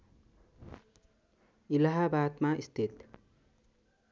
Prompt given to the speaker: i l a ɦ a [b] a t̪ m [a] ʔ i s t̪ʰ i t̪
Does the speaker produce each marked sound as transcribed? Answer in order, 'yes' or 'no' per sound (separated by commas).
yes, yes